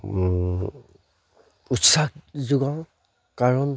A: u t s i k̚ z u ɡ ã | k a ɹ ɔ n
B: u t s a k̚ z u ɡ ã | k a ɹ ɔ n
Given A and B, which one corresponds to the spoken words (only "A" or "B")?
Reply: B